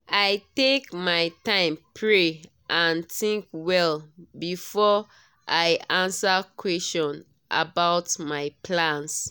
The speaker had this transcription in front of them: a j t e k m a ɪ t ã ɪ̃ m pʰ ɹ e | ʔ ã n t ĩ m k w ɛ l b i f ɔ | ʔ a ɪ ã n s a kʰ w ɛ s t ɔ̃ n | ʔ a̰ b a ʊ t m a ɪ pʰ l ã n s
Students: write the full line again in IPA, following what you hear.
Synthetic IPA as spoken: a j t e k m a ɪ t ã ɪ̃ m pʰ ɹ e | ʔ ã n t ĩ ŋ k w ɛ l b i f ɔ | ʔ a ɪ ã n s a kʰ w ɛ s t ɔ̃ n | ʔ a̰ b a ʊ t m a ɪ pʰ l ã n s